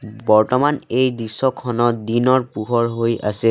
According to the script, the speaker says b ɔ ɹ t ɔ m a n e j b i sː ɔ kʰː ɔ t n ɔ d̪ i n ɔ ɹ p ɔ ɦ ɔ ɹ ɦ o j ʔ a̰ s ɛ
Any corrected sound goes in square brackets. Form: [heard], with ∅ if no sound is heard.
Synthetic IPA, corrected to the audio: b ɔ ɹ t ɔ m a n e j [d] i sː ɔ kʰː ɔ [∅] n ɔ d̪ i n ɔ ɹ p [u] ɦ ɔ ɹ ɦ o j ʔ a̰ s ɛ